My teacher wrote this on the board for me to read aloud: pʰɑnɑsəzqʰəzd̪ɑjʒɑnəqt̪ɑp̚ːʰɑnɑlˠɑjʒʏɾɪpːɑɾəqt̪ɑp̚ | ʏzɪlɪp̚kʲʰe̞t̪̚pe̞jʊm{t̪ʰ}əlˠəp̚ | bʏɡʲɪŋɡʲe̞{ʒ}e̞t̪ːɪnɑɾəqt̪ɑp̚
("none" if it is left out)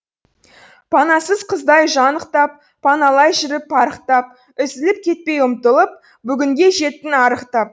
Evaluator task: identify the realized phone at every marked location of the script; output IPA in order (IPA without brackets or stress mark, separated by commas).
t̪, ʒ